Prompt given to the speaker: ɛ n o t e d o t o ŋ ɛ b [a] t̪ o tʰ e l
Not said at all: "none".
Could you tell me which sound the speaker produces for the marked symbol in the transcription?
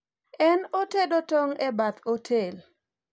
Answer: a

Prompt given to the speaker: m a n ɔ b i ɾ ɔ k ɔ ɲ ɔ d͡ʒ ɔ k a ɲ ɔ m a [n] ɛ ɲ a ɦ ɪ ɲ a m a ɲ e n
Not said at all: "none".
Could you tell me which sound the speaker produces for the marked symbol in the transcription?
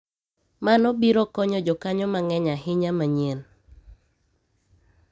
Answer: ŋ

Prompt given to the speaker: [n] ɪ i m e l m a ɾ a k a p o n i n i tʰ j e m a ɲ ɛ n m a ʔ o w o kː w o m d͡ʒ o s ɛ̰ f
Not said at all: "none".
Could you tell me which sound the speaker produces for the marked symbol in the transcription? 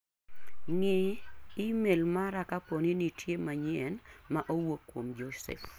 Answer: ŋ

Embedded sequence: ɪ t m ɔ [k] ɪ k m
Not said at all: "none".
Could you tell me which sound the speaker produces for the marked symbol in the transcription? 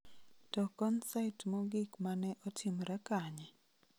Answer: ɡ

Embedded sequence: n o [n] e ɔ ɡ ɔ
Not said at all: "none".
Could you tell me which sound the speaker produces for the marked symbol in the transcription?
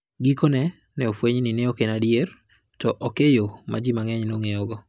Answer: ŋ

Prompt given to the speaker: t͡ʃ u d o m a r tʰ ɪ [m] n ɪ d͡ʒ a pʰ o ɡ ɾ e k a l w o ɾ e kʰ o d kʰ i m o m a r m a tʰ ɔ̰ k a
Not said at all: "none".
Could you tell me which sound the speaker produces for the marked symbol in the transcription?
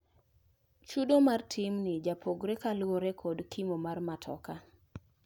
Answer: m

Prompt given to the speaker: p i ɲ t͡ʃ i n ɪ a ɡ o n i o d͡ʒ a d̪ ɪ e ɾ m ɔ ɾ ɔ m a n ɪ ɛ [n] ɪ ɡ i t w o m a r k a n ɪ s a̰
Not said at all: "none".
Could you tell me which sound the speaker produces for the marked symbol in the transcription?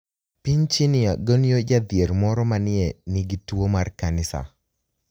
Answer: n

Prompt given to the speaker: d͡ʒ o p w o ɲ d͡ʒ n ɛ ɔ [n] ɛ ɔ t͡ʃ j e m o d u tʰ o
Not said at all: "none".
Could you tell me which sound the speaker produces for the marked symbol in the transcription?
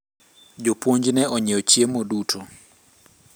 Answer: ɲ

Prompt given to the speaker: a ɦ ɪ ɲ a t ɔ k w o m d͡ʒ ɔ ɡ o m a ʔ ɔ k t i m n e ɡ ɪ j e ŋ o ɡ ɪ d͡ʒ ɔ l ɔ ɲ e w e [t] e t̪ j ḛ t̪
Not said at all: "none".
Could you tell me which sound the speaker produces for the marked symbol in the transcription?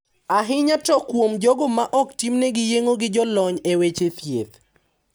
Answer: t͡ʃ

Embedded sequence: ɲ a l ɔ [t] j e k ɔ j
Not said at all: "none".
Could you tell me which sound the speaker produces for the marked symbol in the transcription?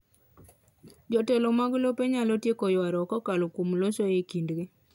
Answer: t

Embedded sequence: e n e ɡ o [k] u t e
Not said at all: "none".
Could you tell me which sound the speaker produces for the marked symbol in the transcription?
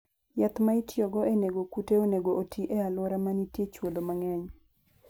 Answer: k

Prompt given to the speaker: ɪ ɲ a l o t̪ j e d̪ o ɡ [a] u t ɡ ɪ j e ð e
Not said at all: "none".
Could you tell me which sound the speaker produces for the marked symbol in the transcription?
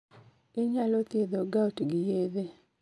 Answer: a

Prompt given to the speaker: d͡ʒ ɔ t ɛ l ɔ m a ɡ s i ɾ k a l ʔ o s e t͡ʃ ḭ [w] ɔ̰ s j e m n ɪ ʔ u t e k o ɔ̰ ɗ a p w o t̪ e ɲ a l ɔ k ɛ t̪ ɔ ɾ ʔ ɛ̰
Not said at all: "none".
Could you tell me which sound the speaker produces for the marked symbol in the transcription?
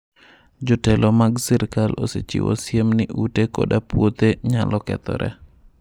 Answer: w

